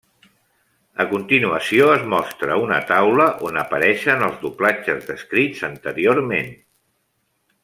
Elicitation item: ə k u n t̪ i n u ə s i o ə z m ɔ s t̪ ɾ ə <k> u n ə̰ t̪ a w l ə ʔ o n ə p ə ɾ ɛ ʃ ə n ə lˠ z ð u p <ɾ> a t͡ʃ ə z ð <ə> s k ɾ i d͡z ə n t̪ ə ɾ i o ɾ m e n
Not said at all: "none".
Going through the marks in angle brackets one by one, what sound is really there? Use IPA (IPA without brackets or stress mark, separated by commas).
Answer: none, l, ə